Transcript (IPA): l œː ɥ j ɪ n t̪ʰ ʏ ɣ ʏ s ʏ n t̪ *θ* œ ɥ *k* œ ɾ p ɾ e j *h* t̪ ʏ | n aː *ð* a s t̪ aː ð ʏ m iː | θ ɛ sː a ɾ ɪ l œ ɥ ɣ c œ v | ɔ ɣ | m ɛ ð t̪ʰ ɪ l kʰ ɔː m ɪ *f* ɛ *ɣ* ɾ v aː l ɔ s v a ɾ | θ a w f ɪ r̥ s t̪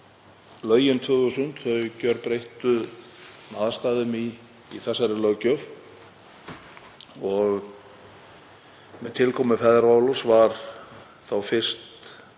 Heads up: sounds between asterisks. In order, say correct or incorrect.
correct, incorrect: c, correct, correct, correct, incorrect: ð

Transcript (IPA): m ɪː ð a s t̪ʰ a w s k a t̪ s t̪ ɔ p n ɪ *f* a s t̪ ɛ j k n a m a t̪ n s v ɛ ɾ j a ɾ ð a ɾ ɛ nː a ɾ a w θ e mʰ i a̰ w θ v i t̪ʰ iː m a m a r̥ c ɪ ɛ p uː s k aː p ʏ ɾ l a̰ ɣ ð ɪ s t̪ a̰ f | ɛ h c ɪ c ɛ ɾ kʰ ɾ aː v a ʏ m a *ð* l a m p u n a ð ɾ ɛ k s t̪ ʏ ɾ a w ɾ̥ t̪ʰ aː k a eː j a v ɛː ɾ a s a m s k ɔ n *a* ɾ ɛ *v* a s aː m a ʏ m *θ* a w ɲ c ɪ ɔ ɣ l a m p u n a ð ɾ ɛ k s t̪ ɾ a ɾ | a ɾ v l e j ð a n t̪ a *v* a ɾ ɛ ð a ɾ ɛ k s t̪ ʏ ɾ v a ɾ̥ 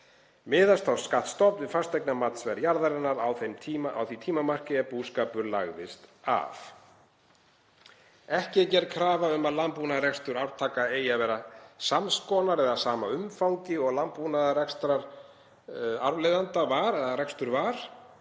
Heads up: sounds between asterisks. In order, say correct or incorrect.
correct, correct, correct, incorrect: ð, incorrect: f, correct

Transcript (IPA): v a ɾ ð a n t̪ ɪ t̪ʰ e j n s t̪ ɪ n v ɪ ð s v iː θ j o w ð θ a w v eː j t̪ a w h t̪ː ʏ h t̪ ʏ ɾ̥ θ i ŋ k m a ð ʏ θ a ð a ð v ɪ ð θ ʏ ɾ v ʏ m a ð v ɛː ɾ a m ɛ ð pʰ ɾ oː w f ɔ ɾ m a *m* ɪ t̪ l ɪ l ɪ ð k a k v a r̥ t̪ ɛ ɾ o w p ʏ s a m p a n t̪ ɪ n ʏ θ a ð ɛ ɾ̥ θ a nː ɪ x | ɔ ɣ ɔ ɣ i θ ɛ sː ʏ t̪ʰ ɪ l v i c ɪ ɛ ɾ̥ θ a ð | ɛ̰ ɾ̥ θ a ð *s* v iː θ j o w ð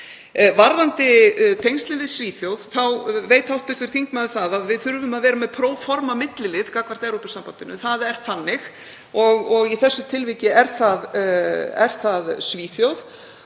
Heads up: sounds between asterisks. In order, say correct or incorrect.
correct, correct

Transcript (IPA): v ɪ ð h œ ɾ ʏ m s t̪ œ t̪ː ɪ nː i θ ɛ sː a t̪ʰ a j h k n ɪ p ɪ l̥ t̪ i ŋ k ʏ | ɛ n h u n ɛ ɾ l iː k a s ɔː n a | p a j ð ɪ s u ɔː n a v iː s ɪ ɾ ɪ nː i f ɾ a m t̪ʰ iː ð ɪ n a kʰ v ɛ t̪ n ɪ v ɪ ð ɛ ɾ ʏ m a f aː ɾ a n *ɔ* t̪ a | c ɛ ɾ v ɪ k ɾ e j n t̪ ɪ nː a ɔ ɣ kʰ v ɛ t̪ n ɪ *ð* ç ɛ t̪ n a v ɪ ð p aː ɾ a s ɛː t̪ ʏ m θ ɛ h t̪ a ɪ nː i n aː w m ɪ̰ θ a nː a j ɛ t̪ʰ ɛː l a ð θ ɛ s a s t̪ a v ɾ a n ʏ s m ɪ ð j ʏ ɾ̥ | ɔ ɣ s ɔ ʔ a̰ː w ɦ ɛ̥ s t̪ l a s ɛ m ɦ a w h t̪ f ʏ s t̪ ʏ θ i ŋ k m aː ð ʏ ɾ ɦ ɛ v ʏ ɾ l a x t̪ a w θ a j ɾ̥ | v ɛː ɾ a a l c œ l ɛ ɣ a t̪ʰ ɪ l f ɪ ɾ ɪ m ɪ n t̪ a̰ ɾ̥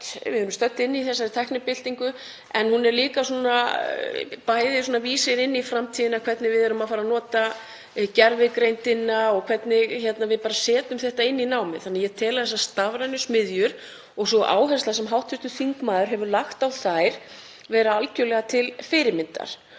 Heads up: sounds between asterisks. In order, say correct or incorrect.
incorrect: ɔː, incorrect: ɣ

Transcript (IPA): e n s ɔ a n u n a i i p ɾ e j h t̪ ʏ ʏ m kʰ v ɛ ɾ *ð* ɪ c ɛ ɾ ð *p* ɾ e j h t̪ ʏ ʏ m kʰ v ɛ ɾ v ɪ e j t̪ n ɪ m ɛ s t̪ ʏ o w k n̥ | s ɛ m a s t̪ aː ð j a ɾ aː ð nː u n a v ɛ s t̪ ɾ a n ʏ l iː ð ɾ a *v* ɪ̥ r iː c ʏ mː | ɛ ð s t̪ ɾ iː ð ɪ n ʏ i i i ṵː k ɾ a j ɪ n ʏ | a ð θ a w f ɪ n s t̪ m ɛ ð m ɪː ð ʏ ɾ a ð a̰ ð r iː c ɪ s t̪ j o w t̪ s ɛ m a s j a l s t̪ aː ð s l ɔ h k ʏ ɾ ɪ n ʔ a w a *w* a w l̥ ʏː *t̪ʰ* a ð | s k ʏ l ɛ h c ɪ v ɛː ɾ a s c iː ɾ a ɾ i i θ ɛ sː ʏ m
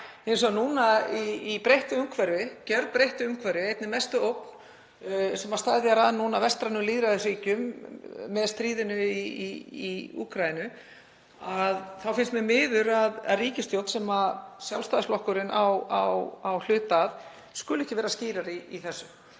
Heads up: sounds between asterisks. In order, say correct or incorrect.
incorrect: v, correct, incorrect: ð, correct, incorrect: t̪

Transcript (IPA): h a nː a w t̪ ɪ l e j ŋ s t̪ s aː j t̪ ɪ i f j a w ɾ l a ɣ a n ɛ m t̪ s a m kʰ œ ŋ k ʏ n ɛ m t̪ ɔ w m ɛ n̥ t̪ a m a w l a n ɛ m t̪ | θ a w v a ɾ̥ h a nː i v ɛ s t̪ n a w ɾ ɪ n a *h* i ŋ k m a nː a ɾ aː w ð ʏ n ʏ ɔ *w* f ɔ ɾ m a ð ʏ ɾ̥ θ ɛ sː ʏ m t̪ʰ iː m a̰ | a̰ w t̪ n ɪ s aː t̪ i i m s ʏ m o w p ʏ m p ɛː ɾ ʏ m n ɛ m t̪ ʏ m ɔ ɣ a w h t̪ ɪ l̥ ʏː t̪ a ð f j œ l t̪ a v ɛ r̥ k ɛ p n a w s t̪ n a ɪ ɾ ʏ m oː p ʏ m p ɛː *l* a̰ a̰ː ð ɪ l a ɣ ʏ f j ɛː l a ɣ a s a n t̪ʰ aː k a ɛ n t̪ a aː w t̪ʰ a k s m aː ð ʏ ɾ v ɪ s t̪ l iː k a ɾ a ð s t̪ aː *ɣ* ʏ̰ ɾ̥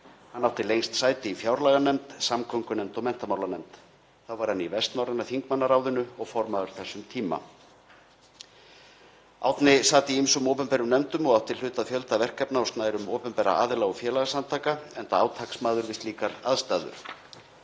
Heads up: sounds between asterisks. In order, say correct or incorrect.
incorrect: θ, incorrect: ɣ, incorrect: ɾ, incorrect: ð

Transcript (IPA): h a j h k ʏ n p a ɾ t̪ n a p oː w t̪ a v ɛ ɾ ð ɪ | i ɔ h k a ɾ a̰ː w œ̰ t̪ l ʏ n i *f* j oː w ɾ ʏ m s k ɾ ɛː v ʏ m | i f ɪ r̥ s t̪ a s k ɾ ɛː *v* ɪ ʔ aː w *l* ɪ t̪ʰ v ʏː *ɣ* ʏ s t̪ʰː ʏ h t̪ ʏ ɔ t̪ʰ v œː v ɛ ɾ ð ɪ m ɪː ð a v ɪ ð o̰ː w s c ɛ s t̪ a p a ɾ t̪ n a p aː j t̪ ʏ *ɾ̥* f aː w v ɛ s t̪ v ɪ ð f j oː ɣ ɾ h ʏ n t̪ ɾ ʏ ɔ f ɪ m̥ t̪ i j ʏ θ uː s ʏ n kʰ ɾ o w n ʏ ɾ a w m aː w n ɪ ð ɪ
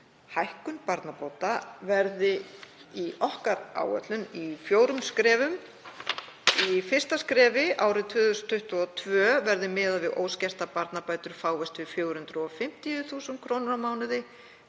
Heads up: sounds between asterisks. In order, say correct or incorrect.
correct, correct, incorrect: ɾ, incorrect: ð, correct

